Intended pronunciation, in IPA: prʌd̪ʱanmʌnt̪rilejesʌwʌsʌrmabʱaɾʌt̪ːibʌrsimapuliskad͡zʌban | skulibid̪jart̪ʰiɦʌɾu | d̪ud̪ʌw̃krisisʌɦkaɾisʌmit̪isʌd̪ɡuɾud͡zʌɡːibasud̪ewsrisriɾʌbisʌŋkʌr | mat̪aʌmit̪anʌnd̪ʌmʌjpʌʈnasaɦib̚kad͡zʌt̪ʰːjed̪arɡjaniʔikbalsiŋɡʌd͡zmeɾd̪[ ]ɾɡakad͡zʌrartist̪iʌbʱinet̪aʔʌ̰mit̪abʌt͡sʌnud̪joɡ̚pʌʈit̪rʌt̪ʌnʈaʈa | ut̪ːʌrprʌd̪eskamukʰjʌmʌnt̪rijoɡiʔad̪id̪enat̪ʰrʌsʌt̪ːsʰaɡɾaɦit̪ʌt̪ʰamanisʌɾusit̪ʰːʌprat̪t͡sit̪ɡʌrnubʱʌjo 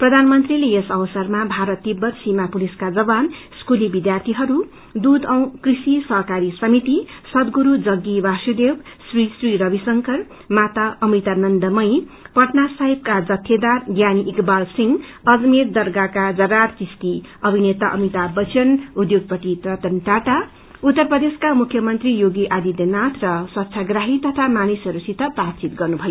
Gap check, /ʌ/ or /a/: ʌ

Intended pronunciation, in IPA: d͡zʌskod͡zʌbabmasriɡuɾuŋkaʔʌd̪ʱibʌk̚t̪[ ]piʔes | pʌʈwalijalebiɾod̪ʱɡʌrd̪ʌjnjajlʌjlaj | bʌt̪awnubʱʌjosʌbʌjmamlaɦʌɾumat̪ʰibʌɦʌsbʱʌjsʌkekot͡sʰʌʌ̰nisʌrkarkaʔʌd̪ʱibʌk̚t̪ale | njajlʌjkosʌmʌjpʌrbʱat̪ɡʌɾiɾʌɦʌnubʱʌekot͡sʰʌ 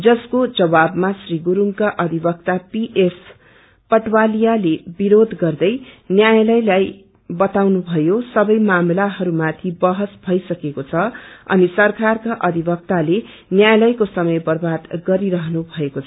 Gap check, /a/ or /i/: a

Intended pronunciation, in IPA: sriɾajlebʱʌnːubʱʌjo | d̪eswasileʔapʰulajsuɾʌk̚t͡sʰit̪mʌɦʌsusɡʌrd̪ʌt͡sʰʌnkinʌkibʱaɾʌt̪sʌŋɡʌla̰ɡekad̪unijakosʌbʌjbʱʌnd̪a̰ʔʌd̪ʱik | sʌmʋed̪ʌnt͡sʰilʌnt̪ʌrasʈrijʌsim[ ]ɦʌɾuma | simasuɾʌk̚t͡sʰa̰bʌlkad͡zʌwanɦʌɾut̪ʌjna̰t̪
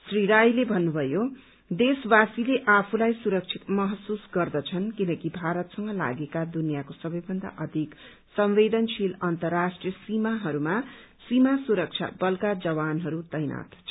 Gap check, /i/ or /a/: a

